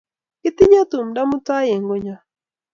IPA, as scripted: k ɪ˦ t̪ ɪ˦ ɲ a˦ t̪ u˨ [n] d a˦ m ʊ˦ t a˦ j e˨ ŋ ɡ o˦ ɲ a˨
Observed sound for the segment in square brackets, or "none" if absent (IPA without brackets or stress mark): m